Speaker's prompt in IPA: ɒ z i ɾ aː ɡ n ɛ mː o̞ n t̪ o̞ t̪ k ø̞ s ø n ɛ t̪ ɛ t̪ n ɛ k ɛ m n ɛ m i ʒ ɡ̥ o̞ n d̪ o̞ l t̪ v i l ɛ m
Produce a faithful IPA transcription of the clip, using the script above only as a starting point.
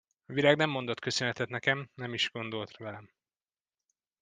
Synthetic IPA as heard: ɒ v i ɾ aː ɡ n ɛ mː o̞ n d̪ o̞ t̪ k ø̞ s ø n ɛ t̪ ɛ t̪ n ɛ k ɛ m n ɛ m i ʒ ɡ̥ o̞ n d̪ o̞ l t̪ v ɛ l ɛ m